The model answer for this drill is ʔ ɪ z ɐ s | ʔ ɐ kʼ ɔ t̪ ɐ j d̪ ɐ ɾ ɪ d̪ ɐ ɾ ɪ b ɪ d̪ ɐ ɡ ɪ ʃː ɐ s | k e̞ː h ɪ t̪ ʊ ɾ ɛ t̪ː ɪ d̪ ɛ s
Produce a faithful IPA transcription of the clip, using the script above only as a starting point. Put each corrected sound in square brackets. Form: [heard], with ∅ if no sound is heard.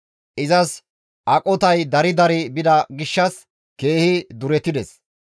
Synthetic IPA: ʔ ɪ z ɐ s | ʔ ɐ kʼ ɔ t̪ ɐ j d̪ ɐ ɾ ɪ d̪ ɐ ɾ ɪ b ɪ d̪ ɐ ɡ ɪ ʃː ɐ s | k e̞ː h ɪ [d̪] ʊ ɾ ɛ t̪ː ɪ d̪ ɛ s